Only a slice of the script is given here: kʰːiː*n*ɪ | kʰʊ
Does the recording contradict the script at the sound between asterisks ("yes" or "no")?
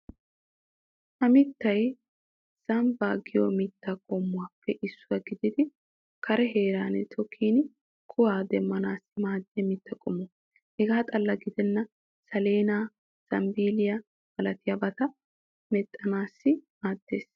no